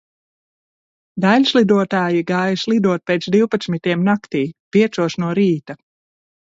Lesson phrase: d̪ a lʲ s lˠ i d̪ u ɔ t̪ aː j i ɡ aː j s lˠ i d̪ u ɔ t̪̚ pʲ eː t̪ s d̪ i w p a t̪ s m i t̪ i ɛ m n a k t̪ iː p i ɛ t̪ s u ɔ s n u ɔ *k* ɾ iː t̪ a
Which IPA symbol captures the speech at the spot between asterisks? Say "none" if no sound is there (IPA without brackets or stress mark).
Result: none